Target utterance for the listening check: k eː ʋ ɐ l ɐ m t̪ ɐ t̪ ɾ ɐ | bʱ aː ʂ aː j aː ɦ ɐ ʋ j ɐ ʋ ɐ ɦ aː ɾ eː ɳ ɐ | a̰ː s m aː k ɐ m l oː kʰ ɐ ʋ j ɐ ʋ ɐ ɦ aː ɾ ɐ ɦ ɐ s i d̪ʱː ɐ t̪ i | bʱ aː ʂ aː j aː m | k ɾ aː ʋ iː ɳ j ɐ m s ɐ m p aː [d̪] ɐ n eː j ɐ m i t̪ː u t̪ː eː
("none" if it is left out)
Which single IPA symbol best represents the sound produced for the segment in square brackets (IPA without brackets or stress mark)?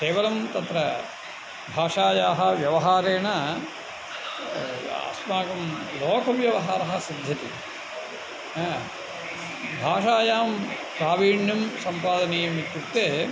d̪